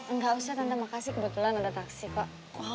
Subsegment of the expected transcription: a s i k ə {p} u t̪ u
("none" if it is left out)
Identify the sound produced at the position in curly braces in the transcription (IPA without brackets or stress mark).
b